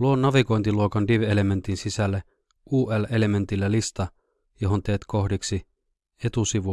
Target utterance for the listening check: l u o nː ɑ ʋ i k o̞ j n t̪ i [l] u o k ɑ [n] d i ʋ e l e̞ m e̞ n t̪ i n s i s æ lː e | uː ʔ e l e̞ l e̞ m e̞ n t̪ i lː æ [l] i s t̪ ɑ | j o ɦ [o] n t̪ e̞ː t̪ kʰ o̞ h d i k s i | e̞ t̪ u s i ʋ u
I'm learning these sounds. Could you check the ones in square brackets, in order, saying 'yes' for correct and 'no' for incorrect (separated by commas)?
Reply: yes, yes, yes, yes